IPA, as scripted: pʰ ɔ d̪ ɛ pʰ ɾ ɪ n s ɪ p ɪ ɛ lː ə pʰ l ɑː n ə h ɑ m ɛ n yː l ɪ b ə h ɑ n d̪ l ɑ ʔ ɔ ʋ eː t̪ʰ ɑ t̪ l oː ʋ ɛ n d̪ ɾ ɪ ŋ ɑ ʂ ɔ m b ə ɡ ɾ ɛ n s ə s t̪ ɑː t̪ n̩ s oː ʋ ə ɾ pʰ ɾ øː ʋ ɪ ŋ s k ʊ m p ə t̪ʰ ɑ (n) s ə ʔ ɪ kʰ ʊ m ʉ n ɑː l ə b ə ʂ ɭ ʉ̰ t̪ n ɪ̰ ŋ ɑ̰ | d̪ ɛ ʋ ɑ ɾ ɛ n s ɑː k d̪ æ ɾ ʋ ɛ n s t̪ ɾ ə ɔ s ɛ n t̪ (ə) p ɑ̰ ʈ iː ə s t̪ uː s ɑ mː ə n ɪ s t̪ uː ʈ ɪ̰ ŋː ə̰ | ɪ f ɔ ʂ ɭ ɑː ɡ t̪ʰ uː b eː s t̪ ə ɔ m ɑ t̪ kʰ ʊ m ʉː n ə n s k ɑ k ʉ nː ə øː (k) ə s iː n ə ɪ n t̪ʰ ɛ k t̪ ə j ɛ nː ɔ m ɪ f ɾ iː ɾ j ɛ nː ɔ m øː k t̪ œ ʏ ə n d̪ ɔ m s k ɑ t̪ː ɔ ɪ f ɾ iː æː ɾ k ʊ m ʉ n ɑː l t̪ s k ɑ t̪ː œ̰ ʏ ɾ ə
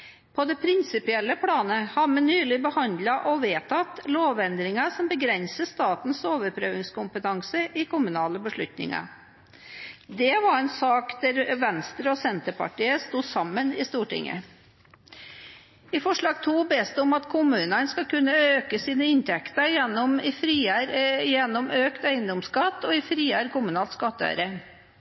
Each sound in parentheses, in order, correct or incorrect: incorrect, correct, correct

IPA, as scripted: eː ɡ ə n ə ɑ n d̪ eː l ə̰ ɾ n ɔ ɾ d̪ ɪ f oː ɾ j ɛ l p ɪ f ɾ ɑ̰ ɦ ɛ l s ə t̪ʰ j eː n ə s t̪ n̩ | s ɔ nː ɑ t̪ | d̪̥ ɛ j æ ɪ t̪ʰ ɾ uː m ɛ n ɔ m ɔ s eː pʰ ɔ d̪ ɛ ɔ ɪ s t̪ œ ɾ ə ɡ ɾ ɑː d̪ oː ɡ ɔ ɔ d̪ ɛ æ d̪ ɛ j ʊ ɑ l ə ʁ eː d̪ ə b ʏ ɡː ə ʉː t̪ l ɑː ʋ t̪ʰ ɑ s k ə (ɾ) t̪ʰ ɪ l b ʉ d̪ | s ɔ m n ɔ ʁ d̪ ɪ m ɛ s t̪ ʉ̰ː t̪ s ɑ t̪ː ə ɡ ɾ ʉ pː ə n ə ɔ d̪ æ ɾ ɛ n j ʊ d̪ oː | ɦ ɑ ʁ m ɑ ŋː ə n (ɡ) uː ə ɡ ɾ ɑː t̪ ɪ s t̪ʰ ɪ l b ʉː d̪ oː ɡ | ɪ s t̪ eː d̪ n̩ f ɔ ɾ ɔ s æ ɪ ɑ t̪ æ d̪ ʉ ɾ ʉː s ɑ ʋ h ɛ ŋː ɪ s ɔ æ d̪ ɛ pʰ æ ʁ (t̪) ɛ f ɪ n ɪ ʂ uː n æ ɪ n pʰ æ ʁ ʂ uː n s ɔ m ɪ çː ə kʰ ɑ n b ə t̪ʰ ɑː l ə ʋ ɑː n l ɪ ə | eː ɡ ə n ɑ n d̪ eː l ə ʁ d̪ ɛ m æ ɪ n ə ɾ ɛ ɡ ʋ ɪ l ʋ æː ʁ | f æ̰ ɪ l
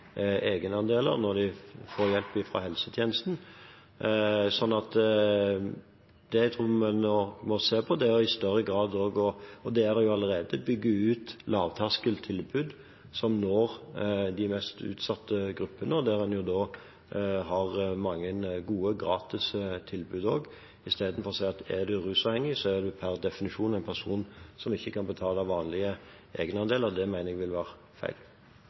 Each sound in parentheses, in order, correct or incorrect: incorrect, correct, incorrect

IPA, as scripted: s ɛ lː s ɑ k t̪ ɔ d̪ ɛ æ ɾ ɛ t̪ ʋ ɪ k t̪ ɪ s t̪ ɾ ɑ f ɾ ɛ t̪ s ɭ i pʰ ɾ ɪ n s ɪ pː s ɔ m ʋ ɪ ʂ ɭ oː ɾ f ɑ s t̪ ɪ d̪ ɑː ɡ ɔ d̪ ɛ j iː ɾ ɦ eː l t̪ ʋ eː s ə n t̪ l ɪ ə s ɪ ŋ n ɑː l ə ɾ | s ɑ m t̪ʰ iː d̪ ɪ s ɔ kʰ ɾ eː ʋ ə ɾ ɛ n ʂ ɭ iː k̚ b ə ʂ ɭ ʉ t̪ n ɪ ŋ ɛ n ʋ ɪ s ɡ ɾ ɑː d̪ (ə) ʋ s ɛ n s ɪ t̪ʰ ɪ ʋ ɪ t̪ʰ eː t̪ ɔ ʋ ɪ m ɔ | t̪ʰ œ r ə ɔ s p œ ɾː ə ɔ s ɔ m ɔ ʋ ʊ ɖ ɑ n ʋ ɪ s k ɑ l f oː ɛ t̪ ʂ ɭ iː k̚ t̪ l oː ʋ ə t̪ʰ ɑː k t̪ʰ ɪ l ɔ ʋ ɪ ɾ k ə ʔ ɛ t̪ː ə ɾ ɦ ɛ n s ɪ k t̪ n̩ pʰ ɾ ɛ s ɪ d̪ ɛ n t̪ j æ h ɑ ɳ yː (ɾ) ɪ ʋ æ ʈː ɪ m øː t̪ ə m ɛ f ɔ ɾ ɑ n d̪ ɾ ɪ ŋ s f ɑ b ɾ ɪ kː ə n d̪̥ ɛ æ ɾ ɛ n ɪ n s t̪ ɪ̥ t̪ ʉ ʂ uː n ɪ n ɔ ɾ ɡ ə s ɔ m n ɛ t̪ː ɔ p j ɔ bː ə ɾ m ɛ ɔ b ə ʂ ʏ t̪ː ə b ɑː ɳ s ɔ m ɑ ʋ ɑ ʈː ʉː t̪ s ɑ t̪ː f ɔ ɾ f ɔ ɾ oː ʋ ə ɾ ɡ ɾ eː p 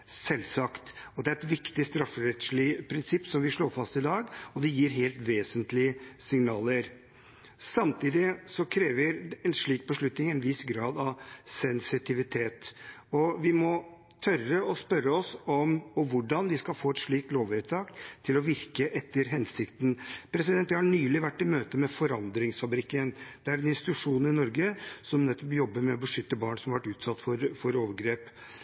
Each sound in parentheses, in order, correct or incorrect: incorrect, incorrect

